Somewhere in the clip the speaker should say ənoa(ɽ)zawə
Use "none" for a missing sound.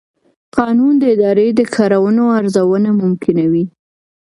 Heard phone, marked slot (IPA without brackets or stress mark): ɾ